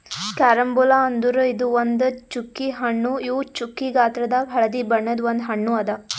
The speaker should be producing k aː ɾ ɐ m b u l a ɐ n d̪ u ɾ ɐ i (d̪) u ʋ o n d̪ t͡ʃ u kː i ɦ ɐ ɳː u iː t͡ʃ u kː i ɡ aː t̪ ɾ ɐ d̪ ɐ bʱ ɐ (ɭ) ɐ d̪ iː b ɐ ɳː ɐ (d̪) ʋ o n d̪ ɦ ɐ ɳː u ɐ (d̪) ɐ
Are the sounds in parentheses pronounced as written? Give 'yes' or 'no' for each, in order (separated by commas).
yes, yes, yes, yes